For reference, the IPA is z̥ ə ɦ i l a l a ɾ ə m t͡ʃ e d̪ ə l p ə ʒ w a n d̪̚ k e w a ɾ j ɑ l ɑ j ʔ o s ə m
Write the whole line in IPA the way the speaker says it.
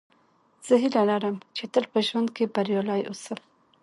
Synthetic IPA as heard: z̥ ə ɦ i l a l a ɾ ə m t͡ʃ e t̪ ə l p ə ʒ w a n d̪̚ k e b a ɾ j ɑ l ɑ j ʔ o s ə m

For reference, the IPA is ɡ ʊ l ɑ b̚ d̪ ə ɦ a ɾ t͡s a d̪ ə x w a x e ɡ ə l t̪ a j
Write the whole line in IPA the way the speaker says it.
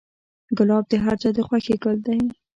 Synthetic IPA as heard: ɡ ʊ l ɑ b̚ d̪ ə ɦ a ɾ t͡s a d̪ ə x w a x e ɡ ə l d̪ a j

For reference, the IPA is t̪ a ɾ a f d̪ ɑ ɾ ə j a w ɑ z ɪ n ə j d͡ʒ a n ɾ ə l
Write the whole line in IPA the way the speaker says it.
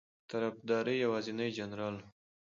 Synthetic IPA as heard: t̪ a ɾ a f d̪ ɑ ɾ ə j a w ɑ z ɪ n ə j d͡ʒ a n ɾ ɑ l

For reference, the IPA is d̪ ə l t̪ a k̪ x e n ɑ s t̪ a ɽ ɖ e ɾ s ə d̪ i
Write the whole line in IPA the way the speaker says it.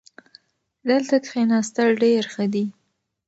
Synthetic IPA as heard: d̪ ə l t̪ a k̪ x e n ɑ s t̪ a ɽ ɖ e ɾ x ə d̪ i

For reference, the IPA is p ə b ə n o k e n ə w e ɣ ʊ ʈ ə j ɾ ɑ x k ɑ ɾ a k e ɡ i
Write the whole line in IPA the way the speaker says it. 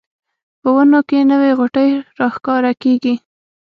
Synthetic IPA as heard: p ə w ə n o k e n ə w e ɣ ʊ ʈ ə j ɾ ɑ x k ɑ ɾ a k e ɡ i

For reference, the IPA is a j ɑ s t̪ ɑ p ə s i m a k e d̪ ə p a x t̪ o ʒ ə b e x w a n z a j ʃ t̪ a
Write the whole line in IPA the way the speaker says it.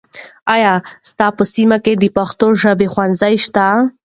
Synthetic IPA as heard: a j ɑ s t̪ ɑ p ə s i m a k e d̪ ə p a x t̪ o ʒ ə b e x w a n z a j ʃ t̪ a

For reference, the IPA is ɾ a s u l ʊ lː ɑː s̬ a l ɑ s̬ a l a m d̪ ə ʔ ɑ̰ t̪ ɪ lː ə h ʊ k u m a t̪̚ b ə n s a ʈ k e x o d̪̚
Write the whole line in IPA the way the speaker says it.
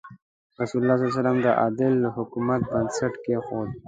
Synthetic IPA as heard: ɾ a s u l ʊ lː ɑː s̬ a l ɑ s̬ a l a m d̪ ə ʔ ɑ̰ d̪ ɪ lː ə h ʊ k u m a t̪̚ b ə n s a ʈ k e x o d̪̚

